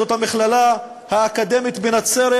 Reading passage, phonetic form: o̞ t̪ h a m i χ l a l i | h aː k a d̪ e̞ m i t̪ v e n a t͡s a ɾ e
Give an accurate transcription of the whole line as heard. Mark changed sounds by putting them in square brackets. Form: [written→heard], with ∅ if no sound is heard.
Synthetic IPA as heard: o̞ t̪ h a m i χ l a l [i→a] | h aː k a d̪ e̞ m i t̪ [v→b] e n a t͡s [a→e] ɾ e